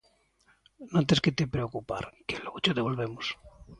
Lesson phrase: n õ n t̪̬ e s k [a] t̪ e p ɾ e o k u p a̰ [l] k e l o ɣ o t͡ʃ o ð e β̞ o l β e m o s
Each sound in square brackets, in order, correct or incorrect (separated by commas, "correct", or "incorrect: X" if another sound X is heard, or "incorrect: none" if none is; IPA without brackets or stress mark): incorrect: e, incorrect: ɾ